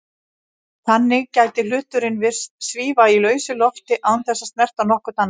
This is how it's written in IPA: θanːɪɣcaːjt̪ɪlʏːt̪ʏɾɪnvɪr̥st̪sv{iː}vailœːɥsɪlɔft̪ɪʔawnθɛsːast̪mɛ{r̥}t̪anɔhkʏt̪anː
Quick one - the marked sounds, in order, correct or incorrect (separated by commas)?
correct, correct